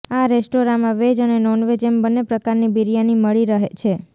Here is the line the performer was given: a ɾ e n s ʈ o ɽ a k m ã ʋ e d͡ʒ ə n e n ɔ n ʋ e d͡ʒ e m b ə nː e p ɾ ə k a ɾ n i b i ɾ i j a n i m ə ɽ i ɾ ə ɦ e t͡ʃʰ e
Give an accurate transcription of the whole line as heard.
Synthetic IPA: a ɾ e s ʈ o ɾ a m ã ʋ e d͡ʒ ə n e n ɔ n ʋ e d͡ʒ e m b ə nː e p ɾ ə k a ɾ n i b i ɾ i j a n i m ə ɭ i ɾ ə ɦ e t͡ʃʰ e